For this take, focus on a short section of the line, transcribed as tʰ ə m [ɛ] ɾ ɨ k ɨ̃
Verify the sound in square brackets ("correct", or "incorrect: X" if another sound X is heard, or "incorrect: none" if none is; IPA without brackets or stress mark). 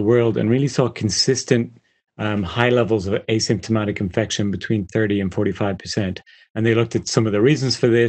incorrect: a